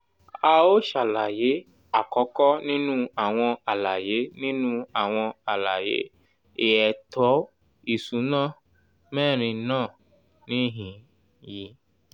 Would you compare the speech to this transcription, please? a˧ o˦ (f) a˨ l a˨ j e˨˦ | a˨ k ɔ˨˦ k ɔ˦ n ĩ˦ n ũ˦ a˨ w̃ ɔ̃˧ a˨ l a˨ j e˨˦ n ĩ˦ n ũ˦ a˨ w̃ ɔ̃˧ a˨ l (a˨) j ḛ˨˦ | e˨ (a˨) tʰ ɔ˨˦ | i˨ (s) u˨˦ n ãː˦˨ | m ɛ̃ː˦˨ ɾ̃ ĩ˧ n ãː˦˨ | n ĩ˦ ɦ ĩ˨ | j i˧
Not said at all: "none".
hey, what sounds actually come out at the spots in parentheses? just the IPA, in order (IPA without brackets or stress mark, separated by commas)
ʃ, a˨, ɛ˨, s